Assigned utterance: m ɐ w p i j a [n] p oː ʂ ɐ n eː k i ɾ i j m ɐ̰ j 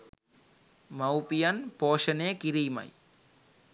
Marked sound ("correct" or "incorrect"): correct